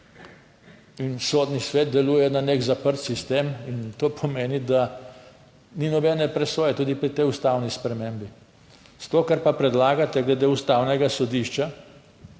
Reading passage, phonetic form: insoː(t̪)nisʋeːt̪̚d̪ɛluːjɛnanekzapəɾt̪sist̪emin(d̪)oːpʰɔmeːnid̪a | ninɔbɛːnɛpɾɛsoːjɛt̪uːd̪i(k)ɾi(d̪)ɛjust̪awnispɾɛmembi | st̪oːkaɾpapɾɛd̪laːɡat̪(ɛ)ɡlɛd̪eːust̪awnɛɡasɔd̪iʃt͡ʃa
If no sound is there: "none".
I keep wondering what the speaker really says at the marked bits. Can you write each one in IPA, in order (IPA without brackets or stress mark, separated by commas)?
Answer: d̪, t̪, p, t̪, ɛ